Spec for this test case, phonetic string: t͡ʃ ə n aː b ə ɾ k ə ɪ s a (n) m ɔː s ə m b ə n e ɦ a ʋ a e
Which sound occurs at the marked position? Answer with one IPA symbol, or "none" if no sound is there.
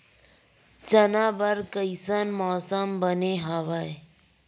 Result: n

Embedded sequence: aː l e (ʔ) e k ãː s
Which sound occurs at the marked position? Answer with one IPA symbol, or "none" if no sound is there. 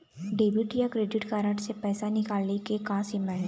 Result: k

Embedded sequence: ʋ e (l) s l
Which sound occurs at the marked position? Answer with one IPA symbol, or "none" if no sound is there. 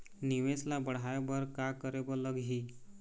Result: none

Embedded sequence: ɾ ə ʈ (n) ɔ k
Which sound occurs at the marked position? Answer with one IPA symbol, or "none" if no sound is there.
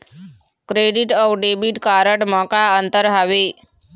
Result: m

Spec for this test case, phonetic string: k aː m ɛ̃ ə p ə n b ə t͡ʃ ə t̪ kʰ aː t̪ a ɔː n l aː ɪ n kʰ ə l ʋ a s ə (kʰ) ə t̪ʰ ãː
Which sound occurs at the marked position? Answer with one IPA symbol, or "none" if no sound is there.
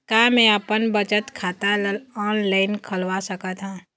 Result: k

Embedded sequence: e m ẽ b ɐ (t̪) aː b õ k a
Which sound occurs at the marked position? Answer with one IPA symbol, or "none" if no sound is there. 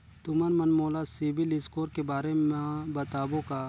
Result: t̪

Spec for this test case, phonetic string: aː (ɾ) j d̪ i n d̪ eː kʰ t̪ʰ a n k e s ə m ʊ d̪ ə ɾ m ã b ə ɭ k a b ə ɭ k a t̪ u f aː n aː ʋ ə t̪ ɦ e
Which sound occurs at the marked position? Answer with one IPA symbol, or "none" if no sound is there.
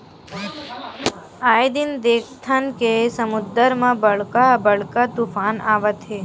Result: none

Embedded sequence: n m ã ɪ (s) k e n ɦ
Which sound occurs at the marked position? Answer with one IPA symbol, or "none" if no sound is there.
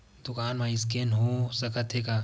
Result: s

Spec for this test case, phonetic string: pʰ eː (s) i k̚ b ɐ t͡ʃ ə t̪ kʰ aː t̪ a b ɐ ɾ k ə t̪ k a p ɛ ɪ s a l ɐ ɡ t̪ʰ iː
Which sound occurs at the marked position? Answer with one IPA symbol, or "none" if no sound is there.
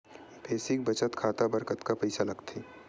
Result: s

